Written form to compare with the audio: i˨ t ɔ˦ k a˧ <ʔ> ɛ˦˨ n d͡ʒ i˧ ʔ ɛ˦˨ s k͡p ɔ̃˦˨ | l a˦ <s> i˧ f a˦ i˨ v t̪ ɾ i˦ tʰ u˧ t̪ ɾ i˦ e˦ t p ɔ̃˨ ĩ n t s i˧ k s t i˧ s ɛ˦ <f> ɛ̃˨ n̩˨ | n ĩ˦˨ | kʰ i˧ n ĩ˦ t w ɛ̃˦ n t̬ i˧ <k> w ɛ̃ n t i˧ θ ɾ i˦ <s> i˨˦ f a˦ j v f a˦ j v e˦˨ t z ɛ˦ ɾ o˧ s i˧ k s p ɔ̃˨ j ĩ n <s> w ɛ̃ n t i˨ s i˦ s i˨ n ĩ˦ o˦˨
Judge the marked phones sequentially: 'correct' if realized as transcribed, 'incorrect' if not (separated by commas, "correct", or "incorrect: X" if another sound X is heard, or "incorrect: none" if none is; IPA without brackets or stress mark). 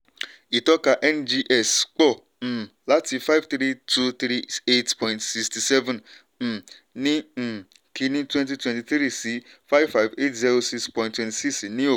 correct, incorrect: t, incorrect: v, incorrect: t, correct, incorrect: t